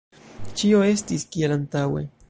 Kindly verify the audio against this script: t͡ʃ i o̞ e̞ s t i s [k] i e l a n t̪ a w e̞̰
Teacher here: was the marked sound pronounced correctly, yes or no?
yes